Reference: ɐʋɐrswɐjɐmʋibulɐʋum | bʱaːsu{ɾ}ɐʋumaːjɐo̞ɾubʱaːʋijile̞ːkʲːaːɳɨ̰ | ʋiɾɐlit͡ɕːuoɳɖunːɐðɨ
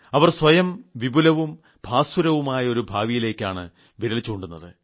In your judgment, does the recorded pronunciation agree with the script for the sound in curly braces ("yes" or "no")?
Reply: yes